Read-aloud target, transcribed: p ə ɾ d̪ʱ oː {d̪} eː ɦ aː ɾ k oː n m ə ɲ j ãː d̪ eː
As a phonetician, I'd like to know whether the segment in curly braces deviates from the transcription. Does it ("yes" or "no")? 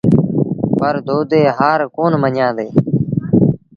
no